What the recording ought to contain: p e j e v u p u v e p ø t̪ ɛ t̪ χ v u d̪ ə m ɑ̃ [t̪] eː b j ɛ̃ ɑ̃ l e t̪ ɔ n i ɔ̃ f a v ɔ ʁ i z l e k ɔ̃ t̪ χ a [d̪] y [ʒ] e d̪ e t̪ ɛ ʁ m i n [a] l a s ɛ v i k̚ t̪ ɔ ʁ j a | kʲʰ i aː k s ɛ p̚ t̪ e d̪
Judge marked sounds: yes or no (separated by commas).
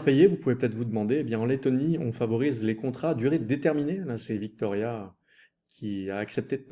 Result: no, yes, no, no